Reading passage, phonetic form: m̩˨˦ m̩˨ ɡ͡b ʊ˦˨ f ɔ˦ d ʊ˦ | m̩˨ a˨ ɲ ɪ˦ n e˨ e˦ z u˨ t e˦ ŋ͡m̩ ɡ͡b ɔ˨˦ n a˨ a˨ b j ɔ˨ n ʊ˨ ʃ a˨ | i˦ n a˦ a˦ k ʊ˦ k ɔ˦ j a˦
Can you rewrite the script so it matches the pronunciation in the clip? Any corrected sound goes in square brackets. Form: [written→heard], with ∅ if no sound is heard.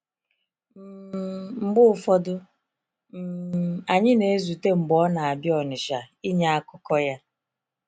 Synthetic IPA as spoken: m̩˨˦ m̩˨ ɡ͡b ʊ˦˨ f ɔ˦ d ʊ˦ | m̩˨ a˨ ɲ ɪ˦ n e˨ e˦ z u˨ t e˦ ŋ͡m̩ ɡ͡b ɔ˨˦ n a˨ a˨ b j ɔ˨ n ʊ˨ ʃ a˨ | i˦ [n→ɲ] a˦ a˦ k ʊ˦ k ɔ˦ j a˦